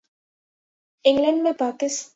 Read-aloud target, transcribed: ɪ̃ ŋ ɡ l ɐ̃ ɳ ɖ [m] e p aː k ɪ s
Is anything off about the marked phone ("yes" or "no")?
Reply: no